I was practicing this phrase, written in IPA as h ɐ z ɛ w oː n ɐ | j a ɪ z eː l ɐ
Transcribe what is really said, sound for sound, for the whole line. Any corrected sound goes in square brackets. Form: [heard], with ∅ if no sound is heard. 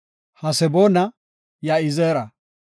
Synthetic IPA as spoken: h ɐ [s] ɛ [b] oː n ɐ | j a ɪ z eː [ɾ] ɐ